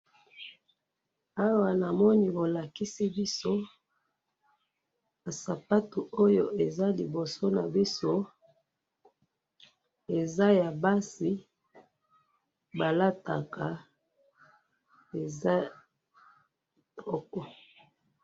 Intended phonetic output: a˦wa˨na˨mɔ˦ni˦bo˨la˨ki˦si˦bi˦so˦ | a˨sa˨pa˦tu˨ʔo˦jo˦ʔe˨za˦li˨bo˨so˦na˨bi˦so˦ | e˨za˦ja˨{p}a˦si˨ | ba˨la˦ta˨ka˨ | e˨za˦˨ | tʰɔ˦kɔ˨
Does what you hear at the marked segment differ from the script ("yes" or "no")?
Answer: yes